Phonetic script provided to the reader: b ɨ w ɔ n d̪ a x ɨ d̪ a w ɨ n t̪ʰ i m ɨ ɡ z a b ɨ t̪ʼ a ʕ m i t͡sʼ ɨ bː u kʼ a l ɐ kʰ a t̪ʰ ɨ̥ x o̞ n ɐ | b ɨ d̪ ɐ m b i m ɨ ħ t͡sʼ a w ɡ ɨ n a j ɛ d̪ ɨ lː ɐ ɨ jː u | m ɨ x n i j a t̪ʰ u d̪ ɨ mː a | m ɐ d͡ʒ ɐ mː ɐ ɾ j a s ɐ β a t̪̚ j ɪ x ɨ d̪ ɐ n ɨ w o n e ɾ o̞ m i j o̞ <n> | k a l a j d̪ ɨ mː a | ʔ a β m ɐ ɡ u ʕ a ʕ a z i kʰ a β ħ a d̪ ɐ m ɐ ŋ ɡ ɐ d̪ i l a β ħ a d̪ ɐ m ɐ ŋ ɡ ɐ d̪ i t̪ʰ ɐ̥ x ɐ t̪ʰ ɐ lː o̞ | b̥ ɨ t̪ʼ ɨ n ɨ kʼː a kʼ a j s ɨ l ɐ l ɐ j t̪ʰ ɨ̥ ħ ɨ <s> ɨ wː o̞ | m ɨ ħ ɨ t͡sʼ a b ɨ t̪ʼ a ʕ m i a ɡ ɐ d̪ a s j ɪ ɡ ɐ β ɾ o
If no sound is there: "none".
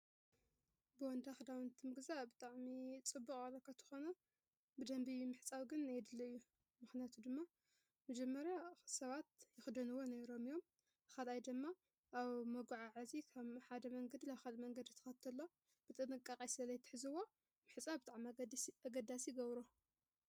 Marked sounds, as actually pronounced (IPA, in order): m, z

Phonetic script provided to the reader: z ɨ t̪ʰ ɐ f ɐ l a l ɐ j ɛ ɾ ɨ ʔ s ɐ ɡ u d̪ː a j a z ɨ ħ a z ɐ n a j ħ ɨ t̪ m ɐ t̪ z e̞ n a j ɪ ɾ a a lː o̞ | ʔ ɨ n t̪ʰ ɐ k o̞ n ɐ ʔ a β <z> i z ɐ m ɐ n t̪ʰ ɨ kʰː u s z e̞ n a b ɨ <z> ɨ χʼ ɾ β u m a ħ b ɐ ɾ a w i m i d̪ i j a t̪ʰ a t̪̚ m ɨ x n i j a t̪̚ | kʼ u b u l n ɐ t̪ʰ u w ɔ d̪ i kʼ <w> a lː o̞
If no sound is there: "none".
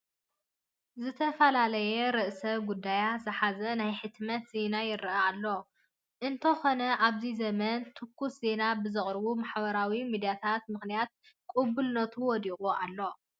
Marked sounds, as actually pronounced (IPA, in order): z, z, u

